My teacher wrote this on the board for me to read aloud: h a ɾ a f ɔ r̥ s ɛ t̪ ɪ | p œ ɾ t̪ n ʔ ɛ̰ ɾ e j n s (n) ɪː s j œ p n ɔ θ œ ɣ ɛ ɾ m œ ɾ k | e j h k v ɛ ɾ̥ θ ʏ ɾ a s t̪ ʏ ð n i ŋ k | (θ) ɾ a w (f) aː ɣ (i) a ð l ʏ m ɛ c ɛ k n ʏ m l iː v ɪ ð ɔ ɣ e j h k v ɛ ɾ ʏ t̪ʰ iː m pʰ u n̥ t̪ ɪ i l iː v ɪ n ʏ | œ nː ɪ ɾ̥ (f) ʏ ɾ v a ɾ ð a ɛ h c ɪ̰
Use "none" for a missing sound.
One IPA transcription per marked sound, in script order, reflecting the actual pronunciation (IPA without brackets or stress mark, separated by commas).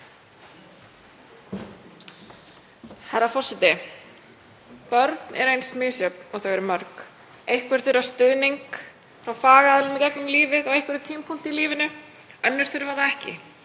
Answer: m, f, f, a, θ